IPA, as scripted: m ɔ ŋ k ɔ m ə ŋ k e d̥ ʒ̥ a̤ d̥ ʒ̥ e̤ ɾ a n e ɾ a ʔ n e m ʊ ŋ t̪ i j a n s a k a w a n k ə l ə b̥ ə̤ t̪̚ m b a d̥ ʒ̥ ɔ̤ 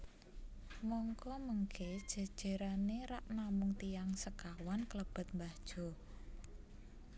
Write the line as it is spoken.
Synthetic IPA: m ɔ ŋ k ɔ m ə ŋ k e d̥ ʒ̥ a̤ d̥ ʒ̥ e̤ ɾ a n e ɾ a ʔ n a m ʊ ŋ t̪ i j a ŋ s ə k a w a n k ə l ə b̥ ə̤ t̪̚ m b a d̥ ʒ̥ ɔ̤